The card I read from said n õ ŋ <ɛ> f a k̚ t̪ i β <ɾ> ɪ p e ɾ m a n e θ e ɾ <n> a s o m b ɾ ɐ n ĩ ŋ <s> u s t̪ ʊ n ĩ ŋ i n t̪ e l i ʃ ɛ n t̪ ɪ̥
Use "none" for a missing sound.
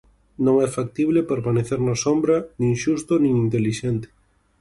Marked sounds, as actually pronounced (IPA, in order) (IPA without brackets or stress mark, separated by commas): ɛ, l, n, ʃ